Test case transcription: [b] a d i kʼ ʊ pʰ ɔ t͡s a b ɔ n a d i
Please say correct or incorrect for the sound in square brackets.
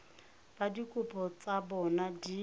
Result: correct